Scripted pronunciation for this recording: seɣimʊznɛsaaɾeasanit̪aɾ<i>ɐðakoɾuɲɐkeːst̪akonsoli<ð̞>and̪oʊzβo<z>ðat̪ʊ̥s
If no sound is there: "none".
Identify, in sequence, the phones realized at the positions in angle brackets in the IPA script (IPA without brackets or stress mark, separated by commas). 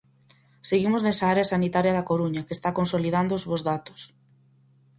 j, ð̞, z